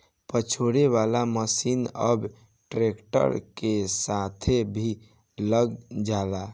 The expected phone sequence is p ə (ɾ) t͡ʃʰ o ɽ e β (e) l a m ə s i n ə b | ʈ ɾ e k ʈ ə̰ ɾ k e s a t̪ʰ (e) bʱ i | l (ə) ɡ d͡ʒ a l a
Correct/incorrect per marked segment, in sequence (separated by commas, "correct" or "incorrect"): incorrect, incorrect, correct, correct